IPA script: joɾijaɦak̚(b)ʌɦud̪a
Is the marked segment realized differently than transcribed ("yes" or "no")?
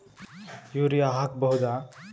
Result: no